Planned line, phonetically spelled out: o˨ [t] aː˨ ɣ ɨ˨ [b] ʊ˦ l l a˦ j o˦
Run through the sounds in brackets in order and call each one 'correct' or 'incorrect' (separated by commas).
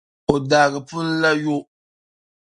incorrect, incorrect